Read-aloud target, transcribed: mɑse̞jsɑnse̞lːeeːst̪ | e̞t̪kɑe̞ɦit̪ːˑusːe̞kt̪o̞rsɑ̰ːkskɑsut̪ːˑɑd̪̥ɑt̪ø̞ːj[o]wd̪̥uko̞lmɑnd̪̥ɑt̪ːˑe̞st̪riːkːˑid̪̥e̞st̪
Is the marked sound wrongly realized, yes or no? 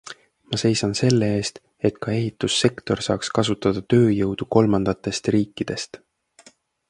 yes